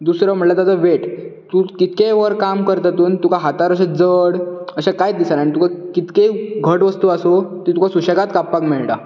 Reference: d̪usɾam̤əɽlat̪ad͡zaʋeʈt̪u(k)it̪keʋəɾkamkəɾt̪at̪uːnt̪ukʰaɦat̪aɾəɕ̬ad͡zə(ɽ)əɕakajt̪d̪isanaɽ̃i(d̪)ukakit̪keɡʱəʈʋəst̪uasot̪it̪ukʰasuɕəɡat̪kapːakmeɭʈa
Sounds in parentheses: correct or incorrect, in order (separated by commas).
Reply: correct, correct, incorrect